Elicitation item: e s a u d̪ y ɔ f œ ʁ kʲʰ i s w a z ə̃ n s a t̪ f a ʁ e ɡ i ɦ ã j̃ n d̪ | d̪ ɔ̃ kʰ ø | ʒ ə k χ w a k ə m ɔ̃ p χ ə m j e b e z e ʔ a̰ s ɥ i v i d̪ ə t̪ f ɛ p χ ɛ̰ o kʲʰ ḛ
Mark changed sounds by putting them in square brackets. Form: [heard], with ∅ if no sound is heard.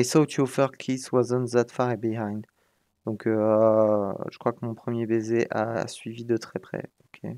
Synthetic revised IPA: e s a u [t̪] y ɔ f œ ʁ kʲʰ i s w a z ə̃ n [z] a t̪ f a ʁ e [b] i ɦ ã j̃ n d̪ | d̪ ɔ̃ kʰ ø | ʒ ə k χ w a k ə m ɔ̃ p χ ə m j e b e z e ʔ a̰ s ɥ i v i d̪ ə t̪ [χ] ɛ p χ ɛ̰ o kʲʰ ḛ